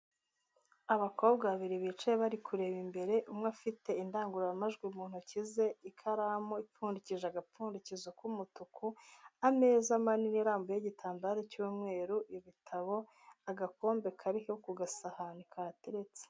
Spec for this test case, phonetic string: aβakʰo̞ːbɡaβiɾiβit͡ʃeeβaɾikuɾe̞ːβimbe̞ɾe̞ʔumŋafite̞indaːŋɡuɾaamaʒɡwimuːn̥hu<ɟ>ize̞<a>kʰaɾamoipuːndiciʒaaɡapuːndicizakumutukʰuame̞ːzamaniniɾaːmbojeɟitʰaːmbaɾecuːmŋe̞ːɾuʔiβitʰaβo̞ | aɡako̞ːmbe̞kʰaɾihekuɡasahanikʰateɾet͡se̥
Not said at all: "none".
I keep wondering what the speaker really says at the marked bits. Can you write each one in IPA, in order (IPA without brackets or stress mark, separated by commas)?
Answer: c, i